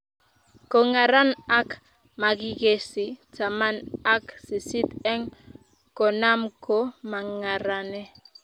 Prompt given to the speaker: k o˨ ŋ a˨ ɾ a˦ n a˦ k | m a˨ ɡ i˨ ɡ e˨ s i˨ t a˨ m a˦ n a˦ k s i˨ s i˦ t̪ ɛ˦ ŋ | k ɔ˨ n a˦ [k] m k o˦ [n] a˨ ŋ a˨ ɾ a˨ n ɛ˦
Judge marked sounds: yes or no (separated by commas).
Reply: no, no